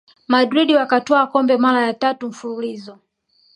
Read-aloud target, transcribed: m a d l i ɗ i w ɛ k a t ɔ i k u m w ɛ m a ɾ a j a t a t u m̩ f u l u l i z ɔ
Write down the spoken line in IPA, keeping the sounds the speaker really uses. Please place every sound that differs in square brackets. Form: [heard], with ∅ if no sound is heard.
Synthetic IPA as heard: m a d [ɾ] i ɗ i w [a] k a t ɔ [a] k [ɔ] m [b] ɛ m a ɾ a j a t a t u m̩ f u l u l i z ɔ

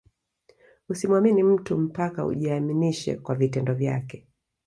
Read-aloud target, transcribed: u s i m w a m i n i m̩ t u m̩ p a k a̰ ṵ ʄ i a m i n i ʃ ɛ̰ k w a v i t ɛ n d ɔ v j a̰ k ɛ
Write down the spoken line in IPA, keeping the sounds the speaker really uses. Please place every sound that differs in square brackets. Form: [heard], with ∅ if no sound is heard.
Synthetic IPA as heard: u s i m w a m i n i m̩ t u m̩ p a k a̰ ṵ ʄ i a m i n i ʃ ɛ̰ k w a v i t ɛ n d ɔ v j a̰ k ɛ

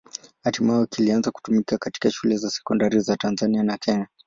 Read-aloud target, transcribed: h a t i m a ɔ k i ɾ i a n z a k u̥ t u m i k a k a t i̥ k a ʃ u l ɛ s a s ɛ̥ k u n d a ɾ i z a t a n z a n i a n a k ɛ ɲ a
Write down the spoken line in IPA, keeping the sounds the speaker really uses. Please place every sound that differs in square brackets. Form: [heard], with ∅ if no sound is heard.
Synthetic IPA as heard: h a t i m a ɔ k i [l] i a n z a k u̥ t u m i k a k a t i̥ k a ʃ u l ɛ [z] a s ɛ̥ k [ɔ] n d a ɾ i z a t a n z a n i a n a k ɛ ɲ a

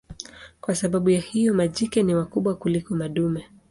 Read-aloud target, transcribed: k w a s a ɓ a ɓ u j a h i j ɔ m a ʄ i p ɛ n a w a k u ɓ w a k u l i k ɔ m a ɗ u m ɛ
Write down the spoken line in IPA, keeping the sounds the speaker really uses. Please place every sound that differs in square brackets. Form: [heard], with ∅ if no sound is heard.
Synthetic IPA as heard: k w a s a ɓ a ɓ u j a h i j ɔ m a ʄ i [k] ɛ n [i] w a k u ɓ w a k u l i k ɔ m a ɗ u m ɛ

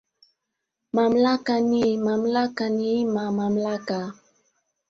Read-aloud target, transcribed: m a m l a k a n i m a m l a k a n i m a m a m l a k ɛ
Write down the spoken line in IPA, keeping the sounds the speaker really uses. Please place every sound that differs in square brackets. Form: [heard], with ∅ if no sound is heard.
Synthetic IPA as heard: m a m l a k a n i m a m l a k a n i m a m a m l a k [a]

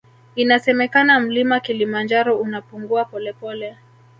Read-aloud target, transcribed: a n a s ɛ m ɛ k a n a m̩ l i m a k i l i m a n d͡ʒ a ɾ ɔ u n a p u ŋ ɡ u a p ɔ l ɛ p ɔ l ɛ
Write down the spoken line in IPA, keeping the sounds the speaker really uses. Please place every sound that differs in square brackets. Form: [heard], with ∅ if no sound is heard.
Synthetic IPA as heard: [i] n a s ɛ m ɛ k a n a m̩ l i m a k i l i m a n d͡ʒ a ɾ ɔ u n a p u ŋ ɡ u a p ɔ l ɛ p ɔ l ɛ

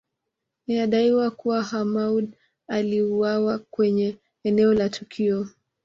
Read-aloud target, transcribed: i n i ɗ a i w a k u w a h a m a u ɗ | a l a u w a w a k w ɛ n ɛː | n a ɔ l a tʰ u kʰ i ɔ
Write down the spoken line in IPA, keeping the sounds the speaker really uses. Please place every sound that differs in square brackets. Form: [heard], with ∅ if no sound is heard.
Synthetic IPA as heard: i n [a] ɗ a i w a k u w a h a m a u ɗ | a l [i] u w a w a k w ɛ [ɲ] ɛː | n [ɛ] ɔ l a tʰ u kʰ i ɔ

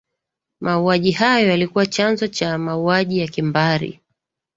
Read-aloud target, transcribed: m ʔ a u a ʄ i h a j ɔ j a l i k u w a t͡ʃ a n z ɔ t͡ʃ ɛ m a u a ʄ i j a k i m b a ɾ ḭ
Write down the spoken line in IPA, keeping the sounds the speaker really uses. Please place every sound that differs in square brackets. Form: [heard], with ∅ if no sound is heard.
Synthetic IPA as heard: m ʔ a u a ʄ i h a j ɔ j a l i k u w a t͡ʃ a n z ɔ t͡ʃ [a] m a u a ʄ i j a k i m b a ɾ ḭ

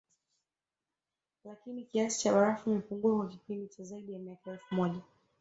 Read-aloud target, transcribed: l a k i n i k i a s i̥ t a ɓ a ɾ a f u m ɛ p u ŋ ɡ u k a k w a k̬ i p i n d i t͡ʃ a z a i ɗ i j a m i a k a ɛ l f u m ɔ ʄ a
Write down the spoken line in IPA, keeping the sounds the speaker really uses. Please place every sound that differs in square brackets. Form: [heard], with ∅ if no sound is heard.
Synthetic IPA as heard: l a k i n i k i a s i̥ [t͡ʃ] a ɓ a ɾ a f u m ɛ p u ŋ ɡ u [∅] a k w a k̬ i p i n d i t͡ʃ a z a i ɗ i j a m i a k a ɛ l f u m ɔ ʄ a

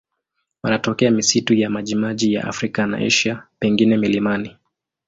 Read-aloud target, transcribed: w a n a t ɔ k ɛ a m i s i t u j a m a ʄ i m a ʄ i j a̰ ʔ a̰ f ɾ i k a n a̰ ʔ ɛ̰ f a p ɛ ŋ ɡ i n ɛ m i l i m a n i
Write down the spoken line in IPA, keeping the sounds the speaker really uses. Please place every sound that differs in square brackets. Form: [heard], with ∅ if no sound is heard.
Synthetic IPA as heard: w a n a t ɔ k ɛ a m i s i t u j a m a ʄ i m a ʄ i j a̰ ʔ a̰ f ɾ i k a n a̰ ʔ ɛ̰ [ʃ] a p ɛ ŋ ɡ i n ɛ m i l i m a n i

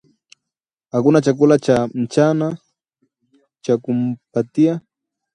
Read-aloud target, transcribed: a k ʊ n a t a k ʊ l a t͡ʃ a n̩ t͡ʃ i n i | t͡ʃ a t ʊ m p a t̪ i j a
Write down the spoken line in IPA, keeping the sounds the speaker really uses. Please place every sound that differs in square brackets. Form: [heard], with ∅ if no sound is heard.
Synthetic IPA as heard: a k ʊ n a [t͡ʃ] a k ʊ l a t͡ʃ a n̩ t͡ʃ [a] n [a] | t͡ʃ a [k] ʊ m p a t̪ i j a

